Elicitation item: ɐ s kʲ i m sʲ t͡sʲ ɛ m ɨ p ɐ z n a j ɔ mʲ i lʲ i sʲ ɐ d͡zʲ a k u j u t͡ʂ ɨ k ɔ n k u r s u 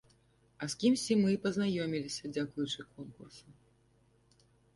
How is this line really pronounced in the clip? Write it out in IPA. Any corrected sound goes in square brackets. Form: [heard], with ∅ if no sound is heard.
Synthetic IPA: ɐ s kʲ i m sʲ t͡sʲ [i] m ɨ p ɐ z n a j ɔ mʲ i lʲ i sʲ ɐ d͡zʲ a k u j u t͡ʂ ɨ k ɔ n k u r s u